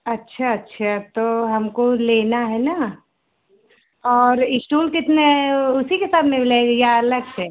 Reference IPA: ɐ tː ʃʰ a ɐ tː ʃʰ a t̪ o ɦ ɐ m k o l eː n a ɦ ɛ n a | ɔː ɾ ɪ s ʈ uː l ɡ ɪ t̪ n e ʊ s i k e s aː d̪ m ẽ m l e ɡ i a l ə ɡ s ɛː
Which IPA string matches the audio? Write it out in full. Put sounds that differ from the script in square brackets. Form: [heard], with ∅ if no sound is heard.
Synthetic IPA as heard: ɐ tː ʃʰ a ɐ tː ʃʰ a t̪ o ɦ ɐ m k o l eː n a ɦ ɛ n a | ɔː ɾ ɪ s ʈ uː l [k] ɪ t̪ n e ʊ s i k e s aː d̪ m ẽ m l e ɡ [j] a l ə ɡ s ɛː

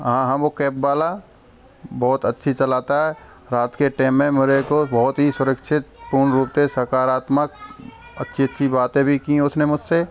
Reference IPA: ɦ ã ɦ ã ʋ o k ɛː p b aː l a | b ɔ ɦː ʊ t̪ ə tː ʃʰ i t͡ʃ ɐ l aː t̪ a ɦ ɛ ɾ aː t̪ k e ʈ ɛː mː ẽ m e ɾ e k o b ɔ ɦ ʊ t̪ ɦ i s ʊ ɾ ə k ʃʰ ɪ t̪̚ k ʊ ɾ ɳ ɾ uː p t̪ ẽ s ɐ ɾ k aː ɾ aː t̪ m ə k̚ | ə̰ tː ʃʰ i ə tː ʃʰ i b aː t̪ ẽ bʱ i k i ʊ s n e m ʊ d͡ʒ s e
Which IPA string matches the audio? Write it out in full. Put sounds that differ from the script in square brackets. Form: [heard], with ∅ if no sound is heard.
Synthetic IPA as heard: ɦ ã ɦ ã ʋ o k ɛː p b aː l a | b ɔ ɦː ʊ t̪ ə tː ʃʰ i t͡ʃ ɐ l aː t̪ a ɦ ɛ ɾ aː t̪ k e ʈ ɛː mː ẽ m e ɾ e k o b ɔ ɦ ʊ t̪ ɦ i s ʊ ɾ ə k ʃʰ ɪ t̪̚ [p] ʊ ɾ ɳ ɾ uː p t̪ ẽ s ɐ ɾ k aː ɾ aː t̪ m ə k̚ | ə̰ tː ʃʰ i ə tː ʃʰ i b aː t̪ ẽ bʱ i k i ʊ s n e m ʊ d͡ʒ s e

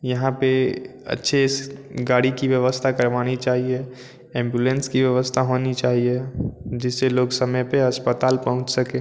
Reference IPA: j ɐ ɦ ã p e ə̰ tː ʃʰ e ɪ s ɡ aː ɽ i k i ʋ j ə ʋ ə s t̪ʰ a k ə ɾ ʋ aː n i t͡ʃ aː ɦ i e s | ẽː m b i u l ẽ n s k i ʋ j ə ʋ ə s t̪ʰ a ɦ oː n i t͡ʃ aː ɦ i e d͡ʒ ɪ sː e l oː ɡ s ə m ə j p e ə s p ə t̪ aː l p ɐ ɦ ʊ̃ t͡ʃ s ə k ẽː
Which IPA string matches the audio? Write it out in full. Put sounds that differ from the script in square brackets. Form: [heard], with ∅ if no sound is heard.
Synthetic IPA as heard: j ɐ ɦ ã p e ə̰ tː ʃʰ e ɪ s ɡ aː ɽ i k i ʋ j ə ʋ ə s t̪ʰ a k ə ɾ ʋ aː n i t͡ʃ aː ɦ i e [∅] | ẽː m b [j] u l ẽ n s k i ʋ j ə ʋ ə s t̪ʰ a ɦ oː n i t͡ʃ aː ɦ i e d͡ʒ ɪ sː e l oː ɡ s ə m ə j p e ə s p ə t̪ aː l p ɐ ɦ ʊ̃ t͡ʃ s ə k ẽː

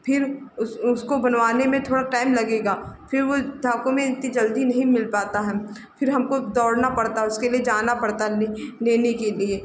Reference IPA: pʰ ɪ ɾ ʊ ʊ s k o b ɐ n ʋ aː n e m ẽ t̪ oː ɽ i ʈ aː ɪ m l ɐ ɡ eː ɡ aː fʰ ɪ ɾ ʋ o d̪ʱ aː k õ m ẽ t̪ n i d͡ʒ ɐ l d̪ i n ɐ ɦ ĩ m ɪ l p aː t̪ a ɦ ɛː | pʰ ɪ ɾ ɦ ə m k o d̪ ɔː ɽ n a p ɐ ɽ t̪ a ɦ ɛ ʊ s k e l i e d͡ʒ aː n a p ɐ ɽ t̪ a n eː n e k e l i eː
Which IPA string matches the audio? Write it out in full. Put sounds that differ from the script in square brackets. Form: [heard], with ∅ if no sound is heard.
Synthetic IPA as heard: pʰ ɪ ɾ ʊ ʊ s k o b ɐ n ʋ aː n e m ẽ [t̪ʰ] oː ɽ [a] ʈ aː ɪ m l ɐ ɡ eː ɡ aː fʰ ɪ ɾ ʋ o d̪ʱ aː k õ m ẽ t̪ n i d͡ʒ ɐ l d̪ i n ɐ ɦ ĩ m ɪ l p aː t̪ a ɦ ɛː | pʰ ɪ ɾ ɦ [ɐ] m k o d̪ ɔː ɽ n a p ɐ ɽ t̪ a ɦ ɛ ʊ s k e l i e d͡ʒ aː n a p ɐ ɽ t̪ a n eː n e k e l i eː

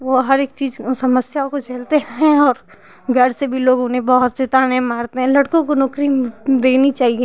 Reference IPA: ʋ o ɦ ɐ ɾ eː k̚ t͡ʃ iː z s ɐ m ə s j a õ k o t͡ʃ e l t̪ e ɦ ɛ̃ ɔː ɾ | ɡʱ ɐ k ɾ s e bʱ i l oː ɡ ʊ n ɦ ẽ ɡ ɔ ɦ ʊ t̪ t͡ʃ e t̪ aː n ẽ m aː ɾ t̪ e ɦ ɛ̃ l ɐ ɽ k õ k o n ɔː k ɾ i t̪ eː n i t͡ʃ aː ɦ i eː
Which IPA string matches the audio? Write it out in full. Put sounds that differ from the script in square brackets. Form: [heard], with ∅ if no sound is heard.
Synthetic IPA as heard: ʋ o ɦ ɐ ɾ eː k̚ t͡ʃ iː z s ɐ m ə s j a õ k o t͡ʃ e l t̪ e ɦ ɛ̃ ɔː ɾ | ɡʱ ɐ [∅] ɾ s e bʱ i l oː ɡ ʊ n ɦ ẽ [b] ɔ ɦ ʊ t̪ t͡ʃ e t̪ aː n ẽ m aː ɾ t̪ e ɦ ɛ̃ l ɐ ɽ k õ k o n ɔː k ɾ i [d̪] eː n i t͡ʃ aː ɦ i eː

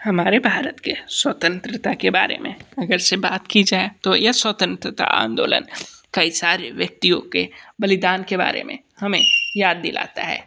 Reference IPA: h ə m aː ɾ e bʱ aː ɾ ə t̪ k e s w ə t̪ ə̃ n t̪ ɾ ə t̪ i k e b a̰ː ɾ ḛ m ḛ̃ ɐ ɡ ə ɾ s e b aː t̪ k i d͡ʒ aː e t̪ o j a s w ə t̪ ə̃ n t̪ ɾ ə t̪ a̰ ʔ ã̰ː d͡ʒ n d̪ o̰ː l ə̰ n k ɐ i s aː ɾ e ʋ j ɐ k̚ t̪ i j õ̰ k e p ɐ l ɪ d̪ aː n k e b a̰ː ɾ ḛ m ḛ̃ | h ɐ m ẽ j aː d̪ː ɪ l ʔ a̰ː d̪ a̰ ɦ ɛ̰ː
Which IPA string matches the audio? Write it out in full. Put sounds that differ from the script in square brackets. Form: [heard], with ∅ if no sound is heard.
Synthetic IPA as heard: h [ɐ] m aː ɾ e bʱ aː ɾ ə t̪ k e s w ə t̪ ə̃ n t̪ ɾ ə t̪ [a] k e b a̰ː ɾ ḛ m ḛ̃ ɐ ɡ ə ɾ s e b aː t̪ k i d͡ʒ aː e t̪ o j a s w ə t̪ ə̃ n t̪ ɾ ə t̪ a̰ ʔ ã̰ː [∅] n d̪ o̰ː l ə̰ n k ɐ i s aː ɾ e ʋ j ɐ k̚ t̪ i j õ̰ k e [b] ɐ l ɪ d̪ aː n k e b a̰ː ɾ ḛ m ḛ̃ | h ɐ m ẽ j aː d̪ː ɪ l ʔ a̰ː [t̪] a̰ ɦ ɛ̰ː

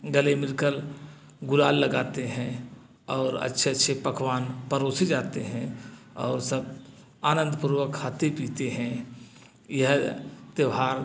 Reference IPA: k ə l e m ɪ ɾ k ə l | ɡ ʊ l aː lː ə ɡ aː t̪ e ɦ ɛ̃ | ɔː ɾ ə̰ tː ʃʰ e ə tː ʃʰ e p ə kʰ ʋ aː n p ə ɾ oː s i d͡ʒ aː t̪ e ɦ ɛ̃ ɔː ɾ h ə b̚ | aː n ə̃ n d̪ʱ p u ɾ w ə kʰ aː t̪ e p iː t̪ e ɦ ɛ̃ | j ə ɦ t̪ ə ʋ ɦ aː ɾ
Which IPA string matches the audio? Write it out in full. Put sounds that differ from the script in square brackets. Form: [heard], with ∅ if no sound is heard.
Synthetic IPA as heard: [ɡ] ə l e m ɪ ɾ k ə l | ɡ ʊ l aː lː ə ɡ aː t̪ e ɦ ɛ̃ | ɔː ɾ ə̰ tː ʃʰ e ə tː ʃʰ e p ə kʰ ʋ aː n p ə ɾ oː s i d͡ʒ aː t̪ e ɦ ɛ̃ ɔː ɾ [s] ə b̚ | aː n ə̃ n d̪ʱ p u ɾ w ə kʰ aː t̪ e p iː t̪ e ɦ ɛ̃ | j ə ɦ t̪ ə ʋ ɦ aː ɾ

